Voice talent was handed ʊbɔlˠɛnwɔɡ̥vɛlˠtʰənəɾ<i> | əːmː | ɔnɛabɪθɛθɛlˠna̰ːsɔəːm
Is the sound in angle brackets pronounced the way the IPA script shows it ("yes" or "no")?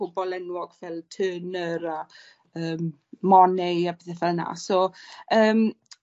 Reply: no